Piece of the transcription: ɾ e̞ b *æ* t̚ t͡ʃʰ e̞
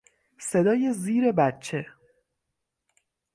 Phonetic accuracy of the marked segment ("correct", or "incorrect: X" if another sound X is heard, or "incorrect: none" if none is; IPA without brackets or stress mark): correct